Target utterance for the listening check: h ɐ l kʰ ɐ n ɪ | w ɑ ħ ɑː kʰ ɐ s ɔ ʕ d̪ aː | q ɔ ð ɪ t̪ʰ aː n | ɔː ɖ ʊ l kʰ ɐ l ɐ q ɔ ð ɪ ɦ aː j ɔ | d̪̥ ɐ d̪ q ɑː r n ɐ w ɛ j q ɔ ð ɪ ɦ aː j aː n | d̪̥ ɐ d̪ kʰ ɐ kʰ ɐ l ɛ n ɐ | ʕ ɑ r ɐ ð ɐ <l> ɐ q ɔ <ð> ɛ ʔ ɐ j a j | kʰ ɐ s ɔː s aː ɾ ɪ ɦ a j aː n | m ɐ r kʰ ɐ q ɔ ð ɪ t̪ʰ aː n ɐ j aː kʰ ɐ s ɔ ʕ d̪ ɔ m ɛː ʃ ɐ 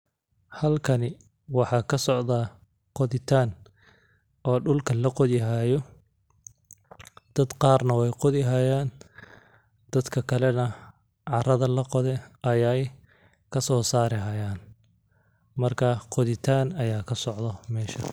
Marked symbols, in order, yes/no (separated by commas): yes, yes